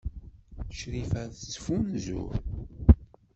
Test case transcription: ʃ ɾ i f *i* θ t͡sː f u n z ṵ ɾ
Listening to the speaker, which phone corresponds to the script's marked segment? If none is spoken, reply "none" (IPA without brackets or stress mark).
æ